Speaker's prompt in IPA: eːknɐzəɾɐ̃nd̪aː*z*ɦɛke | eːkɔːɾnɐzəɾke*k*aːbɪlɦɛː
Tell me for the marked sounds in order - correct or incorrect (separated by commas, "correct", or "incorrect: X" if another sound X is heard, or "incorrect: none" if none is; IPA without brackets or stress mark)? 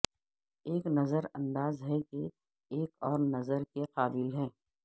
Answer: correct, incorrect: q